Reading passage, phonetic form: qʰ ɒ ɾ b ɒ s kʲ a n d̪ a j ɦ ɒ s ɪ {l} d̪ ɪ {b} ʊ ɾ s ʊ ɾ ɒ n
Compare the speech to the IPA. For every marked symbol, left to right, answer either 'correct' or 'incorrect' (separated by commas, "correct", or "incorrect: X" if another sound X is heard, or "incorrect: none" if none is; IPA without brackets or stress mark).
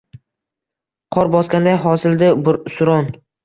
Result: correct, correct